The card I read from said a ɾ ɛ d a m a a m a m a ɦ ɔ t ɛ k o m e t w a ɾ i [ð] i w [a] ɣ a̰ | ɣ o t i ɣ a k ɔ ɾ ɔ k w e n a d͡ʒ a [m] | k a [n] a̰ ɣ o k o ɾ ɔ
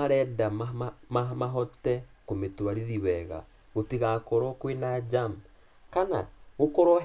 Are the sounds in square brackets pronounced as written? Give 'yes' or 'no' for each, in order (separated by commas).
yes, no, yes, yes